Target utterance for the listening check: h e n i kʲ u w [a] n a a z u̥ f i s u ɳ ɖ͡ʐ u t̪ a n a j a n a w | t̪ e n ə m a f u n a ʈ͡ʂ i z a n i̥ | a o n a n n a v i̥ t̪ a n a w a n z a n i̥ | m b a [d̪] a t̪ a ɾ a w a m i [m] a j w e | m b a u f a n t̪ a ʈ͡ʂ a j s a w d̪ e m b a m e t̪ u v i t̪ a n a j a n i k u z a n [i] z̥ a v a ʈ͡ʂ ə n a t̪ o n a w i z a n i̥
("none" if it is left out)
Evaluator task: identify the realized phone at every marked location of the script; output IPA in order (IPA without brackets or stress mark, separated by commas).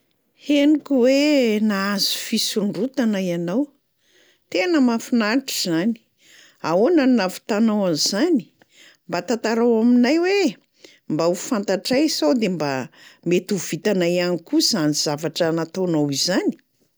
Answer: e, t̪, n, i